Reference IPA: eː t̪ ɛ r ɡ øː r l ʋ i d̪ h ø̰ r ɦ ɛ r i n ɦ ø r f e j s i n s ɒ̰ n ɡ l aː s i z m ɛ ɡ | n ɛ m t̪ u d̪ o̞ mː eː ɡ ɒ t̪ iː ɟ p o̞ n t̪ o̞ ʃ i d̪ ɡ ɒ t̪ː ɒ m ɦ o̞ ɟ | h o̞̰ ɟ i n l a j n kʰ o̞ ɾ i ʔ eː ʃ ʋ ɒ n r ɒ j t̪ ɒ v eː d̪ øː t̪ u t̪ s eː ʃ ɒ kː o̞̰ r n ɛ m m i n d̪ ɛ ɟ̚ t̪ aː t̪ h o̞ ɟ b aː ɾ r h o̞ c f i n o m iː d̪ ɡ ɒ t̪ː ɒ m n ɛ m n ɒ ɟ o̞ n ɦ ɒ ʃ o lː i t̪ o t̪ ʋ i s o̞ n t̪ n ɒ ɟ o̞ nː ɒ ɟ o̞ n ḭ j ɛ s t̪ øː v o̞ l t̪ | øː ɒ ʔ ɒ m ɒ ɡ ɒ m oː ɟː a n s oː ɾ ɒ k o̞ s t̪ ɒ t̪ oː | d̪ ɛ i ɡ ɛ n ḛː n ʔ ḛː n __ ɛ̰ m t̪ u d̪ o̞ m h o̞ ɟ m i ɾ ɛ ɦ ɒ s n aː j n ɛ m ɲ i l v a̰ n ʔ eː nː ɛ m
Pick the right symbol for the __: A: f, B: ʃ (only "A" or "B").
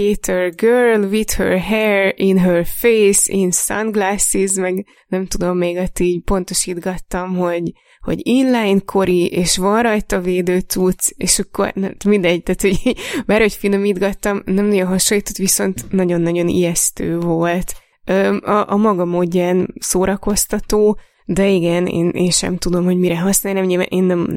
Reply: B